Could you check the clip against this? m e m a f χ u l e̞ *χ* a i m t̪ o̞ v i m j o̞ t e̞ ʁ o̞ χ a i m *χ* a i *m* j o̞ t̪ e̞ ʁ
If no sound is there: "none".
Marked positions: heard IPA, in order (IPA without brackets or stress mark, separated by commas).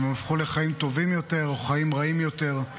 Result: χ, ʁ, m